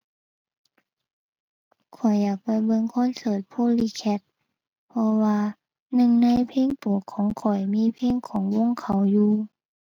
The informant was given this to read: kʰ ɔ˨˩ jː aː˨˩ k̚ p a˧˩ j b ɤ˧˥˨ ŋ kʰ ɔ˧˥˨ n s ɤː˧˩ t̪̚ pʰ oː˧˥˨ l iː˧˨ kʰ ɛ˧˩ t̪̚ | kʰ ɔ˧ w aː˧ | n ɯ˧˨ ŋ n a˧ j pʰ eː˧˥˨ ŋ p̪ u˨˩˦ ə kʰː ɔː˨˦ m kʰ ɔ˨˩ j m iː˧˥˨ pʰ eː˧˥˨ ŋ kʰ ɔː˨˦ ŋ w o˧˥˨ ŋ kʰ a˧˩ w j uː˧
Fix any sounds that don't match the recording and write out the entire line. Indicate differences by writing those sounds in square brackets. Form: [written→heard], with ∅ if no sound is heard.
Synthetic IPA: kʰ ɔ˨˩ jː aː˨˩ k̚ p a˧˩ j b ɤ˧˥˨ ŋ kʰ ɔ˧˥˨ n s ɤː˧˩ t̪̚ pʰ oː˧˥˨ l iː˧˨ kʰ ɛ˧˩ t̪̚ | [kʰ→pʰ] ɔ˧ w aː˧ | n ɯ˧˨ ŋ n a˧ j pʰ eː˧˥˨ ŋ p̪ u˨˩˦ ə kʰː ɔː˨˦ [m→ŋ] kʰ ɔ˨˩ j m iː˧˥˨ pʰ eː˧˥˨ ŋ kʰ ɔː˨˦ ŋ w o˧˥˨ ŋ kʰ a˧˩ w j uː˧